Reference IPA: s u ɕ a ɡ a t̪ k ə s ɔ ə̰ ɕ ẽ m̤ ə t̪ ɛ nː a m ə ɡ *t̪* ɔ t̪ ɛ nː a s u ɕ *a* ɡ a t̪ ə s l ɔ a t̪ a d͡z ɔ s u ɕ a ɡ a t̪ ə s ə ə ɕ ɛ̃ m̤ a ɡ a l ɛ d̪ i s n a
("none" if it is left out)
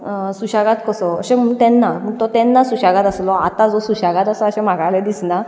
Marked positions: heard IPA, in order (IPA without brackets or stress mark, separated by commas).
t̪, a